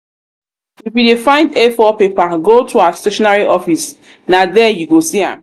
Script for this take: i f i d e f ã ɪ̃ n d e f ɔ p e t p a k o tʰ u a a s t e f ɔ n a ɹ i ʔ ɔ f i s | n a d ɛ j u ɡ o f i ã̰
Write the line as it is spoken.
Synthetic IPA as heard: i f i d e f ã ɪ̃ n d e f ɔ p e p a ɡ o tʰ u a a s t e ʃ ɔ n a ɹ i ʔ ɔ f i s | n a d ɛ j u ɡ o s i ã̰